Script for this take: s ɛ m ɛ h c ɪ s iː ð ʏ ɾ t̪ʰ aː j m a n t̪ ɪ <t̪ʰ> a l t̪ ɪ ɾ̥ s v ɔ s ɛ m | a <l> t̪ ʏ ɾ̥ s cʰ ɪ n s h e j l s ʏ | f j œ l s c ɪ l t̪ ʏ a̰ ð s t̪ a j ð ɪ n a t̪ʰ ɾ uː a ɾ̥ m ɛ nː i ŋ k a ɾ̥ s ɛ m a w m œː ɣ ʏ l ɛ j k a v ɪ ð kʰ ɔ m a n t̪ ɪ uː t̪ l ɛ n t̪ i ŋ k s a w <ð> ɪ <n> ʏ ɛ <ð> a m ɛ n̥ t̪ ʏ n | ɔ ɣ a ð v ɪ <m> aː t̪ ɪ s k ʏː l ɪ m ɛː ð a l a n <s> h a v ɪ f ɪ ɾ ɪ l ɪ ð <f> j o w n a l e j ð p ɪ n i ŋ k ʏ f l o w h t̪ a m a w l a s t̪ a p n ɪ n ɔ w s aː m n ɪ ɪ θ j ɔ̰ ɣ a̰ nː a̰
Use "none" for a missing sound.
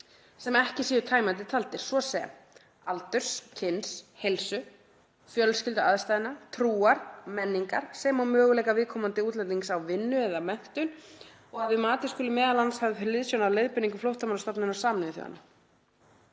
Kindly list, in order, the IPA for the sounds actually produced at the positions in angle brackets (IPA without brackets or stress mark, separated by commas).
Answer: t̪ʰ, l, v, nː, ð, m, s, s